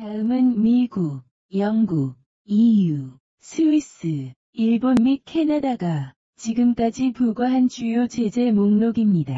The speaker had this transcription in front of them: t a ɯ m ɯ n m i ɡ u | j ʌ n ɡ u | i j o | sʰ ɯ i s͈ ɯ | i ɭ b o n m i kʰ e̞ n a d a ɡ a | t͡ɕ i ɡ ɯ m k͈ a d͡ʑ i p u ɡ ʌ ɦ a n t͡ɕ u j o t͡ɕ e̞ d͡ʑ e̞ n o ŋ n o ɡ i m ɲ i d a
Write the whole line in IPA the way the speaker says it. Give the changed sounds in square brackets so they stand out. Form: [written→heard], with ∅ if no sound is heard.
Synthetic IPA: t a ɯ m ɯ n m i ɡ u | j ʌ [n→ŋ] ɡ u | i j [o→u] | sʰ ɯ i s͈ ɯ | i ɭ b o n m i kʰ e̞ n a d a ɡ a | t͡ɕ i ɡ ɯ m k͈ a d͡ʑ i p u ɡ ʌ ɦ a n t͡ɕ u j o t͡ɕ e̞ d͡ʑ e̞ [n→m] o ŋ n o ɡ i m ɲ i d a

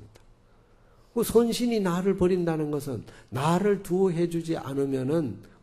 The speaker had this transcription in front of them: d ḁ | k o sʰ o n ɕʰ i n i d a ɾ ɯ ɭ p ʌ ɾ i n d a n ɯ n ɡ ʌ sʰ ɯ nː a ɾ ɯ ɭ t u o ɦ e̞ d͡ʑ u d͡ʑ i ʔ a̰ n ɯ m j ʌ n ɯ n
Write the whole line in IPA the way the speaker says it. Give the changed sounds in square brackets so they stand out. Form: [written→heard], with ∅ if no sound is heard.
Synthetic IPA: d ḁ | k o sʰ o n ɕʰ i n i [d→n] a ɾ ɯ ɭ p ʌ ɾ i n d a n ɯ n ɡ ʌ sʰ ɯ nː a ɾ ɯ ɭ t u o ɦ e̞ d͡ʑ u d͡ʑ i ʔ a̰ n ɯ m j ʌ n ɯ n

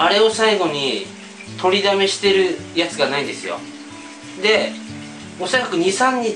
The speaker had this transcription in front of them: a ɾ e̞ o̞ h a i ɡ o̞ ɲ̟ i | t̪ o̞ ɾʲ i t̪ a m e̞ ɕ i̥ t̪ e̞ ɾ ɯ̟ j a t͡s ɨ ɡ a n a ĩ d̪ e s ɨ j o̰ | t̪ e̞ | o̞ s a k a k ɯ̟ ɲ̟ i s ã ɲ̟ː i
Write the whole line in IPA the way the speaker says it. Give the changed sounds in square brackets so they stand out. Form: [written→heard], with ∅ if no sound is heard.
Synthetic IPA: a ɾ e̞ o̞ [h→s] a i ɡ o̞ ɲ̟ i | t̪ o̞ ɾʲ i [t̪→d̪] a m e̞ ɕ i̥ t̪ e̞ ɾ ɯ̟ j a t͡s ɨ ɡ a n a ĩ d̪ e s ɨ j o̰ | [t̪→d̪] e̞ | o̞ s a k a k ɯ̟ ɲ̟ i s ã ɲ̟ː i

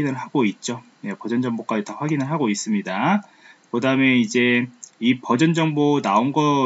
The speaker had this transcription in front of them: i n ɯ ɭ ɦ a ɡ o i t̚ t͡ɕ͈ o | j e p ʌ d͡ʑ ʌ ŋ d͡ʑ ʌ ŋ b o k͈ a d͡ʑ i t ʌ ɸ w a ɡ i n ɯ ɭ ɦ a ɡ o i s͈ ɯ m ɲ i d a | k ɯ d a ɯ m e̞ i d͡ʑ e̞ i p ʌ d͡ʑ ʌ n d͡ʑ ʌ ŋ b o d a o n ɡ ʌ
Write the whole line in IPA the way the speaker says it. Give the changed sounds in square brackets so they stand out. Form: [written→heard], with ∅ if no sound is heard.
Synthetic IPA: i n ɯ ɭ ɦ a ɡ o i t̚ t͡ɕ͈ o | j e p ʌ d͡ʑ ʌ [ŋ→n] d͡ʑ ʌ ŋ b o k͈ a d͡ʑ i t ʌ ɸ w a ɡ i n ɯ ɭ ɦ a ɡ o i s͈ ɯ m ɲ i d a | k ɯ d a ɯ m e̞ i d͡ʑ e̞ i p ʌ d͡ʑ ʌ n d͡ʑ ʌ ŋ b o [d→n] a o n ɡ ʌ

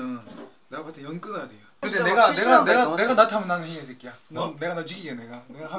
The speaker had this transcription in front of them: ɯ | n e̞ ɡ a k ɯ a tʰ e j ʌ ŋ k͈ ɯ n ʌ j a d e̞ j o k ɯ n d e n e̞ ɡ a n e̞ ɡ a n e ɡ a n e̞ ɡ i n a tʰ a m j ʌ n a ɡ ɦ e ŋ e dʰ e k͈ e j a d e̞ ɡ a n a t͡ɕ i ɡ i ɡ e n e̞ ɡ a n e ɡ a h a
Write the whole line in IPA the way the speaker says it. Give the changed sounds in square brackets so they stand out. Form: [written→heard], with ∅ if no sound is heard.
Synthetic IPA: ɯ | n e̞ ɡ a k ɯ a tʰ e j ʌ [ŋ→n] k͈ ɯ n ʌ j a d e̞ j o k ɯ n d e n e̞ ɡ a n e̞ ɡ a n e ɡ a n e̞ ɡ [i→a] n a tʰ a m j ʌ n a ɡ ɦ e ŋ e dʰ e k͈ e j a [d→n] e̞ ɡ a n a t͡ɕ i ɡ i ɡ e n e̞ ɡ a n e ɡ a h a

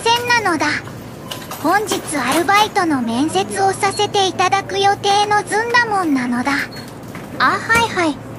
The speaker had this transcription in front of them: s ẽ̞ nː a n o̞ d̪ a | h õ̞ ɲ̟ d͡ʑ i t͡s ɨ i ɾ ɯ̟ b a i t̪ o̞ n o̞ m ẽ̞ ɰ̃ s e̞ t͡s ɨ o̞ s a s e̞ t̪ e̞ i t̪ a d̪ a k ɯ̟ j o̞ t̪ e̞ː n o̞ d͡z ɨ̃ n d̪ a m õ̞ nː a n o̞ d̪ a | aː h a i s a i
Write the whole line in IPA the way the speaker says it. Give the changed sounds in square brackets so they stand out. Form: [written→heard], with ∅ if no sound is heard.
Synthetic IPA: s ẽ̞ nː a n o̞ d̪ a | h õ̞ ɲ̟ d͡ʑ i t͡s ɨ [i→a] ɾ ɯ̟ b a i t̪ o̞ n o̞ m ẽ̞ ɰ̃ s e̞ t͡s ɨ o̞ s a s e̞ t̪ e̞ i t̪ a d̪ a k ɯ̟ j o̞ t̪ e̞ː n o̞ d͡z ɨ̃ n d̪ a m õ̞ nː a n o̞ d̪ a | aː h a i [s→h] a i

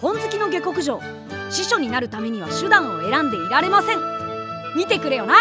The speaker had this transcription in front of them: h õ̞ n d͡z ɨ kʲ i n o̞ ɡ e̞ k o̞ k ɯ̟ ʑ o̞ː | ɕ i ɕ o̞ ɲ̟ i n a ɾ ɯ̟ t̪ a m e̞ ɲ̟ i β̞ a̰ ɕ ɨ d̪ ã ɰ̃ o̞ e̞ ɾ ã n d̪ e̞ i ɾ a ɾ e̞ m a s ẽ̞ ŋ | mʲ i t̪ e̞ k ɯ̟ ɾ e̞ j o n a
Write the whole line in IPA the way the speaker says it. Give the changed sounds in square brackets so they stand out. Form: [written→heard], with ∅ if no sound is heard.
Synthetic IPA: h õ̞ n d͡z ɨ kʲ i n o̞ ɡ e̞ k o̞ k ɯ̟ ʑ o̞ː | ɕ i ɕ o̞ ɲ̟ i n a ɾ ɯ̟ t̪ a m e̞ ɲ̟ i β̞ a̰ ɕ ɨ d̪ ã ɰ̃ o̞ e̞ ɾ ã n d̪ e̞ i ɾ a ɾ e̞ m a s ẽ̞ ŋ | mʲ i t̪ e̞ k ɯ̟ ɾ e̞ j o n a

